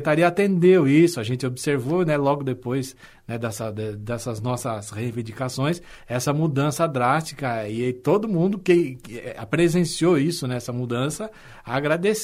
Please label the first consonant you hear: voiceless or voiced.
voiceless